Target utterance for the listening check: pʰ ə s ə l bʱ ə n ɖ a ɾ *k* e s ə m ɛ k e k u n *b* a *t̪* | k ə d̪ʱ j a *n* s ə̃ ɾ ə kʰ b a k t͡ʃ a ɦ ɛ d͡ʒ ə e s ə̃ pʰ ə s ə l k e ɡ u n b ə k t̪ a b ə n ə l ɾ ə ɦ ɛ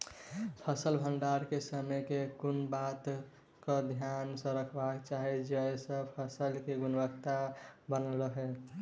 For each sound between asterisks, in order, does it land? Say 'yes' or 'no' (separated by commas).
yes, yes, yes, yes